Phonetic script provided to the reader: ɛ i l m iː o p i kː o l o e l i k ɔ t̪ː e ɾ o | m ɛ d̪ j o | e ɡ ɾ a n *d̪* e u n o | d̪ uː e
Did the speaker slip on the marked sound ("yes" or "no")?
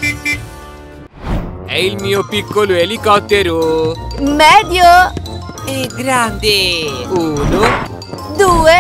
no